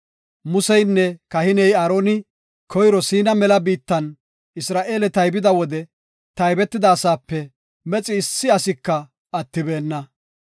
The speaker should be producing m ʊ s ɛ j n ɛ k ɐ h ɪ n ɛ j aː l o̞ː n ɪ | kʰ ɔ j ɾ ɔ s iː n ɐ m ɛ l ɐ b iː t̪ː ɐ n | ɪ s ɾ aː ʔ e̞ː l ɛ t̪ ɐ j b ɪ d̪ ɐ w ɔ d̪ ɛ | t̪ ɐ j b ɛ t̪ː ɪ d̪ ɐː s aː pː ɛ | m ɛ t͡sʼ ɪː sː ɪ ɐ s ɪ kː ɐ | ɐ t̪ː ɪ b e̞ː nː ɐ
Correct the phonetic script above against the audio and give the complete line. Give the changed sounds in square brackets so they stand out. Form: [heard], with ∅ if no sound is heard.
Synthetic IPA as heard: m ʊ s ɛ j [nː] ɛ k ɐ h ɪ n ɛ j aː [ɾ] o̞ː n ɪ | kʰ ɔ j ɾ ɔ s iː n ɐ m ɛ l ɐ b iː t̪ː ɐ n | ɪ s ɾ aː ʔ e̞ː l ɛ t̪ ɐ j b ɪ d̪ ɐ w ɔ d̪ ɛ | t̪ ɐ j b ɛ t̪ː ɪ d̪ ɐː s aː pː ɛ | m ɛ t͡sʼ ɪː sː ɪ ɐ s ɪ kː ɐ | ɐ t̪ː ɪ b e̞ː nː ɐ

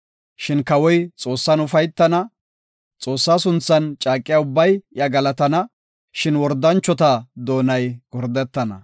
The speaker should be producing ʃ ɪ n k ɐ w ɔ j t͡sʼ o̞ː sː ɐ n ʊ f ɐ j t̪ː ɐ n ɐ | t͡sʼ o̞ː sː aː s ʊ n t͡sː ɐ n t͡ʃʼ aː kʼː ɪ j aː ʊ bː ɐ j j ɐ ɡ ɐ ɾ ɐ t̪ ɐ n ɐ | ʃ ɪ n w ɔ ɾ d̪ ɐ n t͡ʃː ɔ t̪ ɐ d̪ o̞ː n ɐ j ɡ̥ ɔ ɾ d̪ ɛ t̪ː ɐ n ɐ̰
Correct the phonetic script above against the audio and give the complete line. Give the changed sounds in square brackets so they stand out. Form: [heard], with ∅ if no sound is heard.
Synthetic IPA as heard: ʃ ɪ n k ɐ w ɔ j t͡sʼ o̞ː sː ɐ n ʊ f ɐ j t̪ː ɐ n ɐ | t͡sʼ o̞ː sː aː s ʊ n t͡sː ɐ n t͡ʃʼ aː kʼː ɪ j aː ʊ bː ɐ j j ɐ ɡ ɐ [l] ɐ t̪ ɐ n ɐ | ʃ ɪ n w ɔ ɾ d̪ ɐ n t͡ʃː ɔ t̪ ɐ d̪ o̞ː n ɐ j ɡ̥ ɔ ɾ d̪ ɛ t̪ː ɐ n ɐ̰

